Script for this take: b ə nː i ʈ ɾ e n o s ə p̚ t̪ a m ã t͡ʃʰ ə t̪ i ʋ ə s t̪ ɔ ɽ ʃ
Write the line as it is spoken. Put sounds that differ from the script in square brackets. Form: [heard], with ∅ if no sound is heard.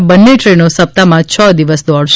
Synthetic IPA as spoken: b ə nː [e] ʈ ɾ e n o s ə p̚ t̪ a m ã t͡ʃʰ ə [d̪] i ʋ ə s [d̪] ɔ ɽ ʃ